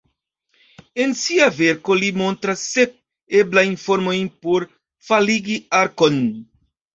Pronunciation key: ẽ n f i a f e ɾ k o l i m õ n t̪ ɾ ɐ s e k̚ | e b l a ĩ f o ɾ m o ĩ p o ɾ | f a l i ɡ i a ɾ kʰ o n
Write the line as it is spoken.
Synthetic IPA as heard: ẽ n s i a v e ɾ k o l i m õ n t̪ ɾ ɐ s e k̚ | e b l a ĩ f o ɾ m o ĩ p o ɾ | f a l i ɡ i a ɾ k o n